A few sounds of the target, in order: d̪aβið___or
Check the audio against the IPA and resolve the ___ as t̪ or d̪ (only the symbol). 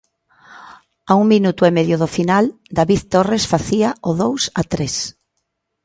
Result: t̪